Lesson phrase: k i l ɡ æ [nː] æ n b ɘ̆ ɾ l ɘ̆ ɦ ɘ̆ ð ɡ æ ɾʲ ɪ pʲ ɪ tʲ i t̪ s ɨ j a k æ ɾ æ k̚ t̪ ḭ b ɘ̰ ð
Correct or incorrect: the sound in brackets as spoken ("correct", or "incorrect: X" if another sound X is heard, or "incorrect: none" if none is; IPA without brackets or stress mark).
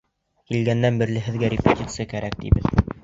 correct